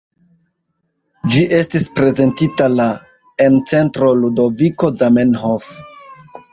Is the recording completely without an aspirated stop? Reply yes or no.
yes